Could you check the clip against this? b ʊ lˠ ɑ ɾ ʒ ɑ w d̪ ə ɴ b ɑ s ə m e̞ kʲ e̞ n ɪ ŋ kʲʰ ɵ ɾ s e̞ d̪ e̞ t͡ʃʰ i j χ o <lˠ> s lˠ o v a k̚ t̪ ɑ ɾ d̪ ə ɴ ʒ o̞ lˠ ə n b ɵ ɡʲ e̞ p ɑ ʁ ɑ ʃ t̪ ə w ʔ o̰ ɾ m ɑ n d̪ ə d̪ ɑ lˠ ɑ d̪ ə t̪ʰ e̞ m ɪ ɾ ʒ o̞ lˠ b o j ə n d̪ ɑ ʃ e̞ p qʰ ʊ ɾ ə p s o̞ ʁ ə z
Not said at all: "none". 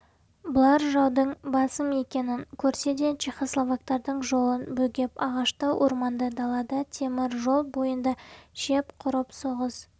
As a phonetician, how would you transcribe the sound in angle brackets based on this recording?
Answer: none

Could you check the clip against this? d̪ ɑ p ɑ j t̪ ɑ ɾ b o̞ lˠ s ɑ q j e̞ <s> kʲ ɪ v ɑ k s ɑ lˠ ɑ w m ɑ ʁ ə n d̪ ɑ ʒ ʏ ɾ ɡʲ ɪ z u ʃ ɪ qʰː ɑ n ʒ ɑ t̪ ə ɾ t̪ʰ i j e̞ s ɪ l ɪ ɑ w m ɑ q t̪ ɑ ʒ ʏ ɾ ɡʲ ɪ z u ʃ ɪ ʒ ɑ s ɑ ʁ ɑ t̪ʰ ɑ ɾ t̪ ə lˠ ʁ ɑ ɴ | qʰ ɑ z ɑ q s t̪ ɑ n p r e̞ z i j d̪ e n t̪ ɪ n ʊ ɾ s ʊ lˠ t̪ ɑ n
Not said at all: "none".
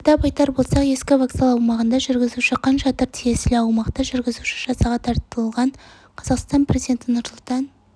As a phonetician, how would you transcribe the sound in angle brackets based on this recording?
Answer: s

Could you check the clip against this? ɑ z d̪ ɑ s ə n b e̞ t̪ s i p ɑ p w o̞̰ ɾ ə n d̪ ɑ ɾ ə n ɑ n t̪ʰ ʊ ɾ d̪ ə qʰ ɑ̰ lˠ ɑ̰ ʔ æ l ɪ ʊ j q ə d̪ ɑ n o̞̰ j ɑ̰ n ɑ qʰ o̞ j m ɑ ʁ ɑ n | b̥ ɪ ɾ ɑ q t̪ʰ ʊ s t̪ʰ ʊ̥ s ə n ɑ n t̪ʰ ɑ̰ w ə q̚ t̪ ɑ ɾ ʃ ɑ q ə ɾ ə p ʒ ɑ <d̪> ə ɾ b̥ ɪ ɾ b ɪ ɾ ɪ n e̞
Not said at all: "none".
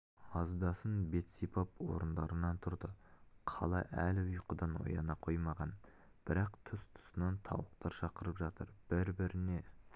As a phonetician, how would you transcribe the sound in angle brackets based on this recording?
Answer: t̪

